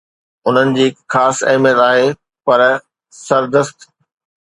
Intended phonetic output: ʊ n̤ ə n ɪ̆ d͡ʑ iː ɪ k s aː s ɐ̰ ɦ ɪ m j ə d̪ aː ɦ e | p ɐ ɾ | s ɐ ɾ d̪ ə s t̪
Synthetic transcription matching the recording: ʊ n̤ ə n ɪ̆ d͡ʑ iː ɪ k x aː s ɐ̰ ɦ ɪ m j ə t̪ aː ɦ e | p ɐ ɾ | s ɐ ɾ d̪ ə s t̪